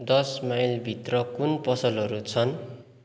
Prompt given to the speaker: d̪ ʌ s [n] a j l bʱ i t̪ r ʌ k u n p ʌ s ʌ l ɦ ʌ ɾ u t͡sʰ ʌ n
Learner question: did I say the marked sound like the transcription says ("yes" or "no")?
no